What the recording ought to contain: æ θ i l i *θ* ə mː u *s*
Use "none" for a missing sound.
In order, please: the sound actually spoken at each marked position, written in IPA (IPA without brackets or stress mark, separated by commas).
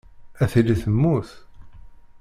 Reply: θ, θ